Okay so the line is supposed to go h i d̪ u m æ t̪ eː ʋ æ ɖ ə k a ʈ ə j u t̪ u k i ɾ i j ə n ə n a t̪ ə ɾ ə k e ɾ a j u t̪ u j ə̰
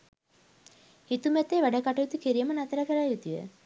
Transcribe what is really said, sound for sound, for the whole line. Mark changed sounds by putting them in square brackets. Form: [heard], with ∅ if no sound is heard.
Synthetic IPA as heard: h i [t̪] u m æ t̪ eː ʋ æ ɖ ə k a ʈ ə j u t̪ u k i ɾ i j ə [m] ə n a t̪ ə ɾ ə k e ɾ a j u t̪ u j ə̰